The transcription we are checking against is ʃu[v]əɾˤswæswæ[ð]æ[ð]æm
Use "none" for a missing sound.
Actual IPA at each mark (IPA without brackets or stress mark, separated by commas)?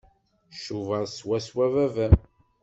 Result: v, v, v